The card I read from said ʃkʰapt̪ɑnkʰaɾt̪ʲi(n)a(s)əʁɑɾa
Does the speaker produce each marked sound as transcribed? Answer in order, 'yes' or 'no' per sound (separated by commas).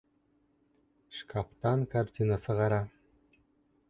yes, yes